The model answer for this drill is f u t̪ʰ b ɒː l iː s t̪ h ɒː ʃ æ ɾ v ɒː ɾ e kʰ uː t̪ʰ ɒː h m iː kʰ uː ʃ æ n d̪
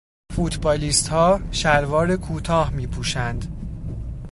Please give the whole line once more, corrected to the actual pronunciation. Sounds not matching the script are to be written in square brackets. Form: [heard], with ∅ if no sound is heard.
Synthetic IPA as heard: f u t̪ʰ b ɒː l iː s t̪ h ɒː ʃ æ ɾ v ɒː ɾ e kʰ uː t̪ʰ ɒː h m iː [pʰ] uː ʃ æ n d̪